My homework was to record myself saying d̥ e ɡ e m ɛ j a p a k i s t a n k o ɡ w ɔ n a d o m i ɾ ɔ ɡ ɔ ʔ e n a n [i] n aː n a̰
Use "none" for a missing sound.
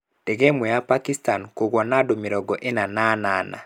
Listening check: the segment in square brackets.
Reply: a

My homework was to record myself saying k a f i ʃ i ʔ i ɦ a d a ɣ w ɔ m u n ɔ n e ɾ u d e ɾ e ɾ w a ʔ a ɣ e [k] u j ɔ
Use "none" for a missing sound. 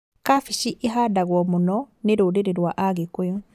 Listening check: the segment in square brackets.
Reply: k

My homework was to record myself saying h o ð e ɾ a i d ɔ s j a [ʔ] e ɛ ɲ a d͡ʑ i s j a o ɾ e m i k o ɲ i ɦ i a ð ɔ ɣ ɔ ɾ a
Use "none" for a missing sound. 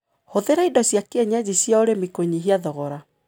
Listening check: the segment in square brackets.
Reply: k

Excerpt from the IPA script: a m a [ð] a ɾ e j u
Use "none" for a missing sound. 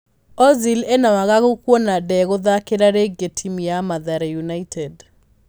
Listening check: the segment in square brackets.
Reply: ð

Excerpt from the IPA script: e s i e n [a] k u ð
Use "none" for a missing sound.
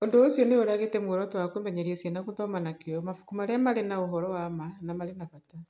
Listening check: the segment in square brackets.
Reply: a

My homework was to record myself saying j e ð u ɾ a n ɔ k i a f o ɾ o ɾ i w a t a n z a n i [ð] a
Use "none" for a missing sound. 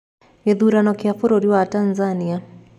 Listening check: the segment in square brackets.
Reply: none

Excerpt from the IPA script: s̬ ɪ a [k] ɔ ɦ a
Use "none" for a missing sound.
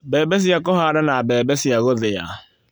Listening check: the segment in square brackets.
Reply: k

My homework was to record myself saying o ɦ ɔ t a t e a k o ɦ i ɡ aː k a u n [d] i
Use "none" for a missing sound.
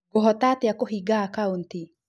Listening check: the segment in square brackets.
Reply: t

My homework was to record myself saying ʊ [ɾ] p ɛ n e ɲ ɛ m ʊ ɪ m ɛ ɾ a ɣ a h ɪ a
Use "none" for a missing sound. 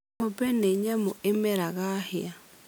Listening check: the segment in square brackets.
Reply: none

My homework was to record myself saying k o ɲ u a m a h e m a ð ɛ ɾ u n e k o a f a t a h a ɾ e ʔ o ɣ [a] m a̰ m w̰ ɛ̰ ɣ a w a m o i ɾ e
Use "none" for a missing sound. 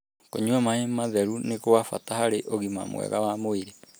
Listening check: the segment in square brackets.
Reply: i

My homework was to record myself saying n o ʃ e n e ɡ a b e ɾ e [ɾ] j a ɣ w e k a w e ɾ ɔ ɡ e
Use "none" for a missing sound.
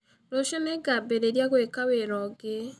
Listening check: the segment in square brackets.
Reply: ɾ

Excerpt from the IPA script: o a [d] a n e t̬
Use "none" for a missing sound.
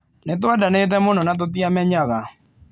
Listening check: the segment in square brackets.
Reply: d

